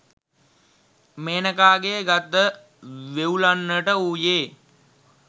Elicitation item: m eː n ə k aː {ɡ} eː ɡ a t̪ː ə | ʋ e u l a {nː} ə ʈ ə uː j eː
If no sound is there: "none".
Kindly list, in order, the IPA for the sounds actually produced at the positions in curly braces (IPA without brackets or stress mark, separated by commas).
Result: ɡ, nː